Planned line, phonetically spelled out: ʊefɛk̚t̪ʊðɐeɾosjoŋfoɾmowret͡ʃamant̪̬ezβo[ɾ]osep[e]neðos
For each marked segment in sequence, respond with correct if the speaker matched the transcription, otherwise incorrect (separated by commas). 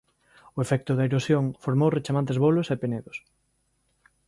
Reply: incorrect, correct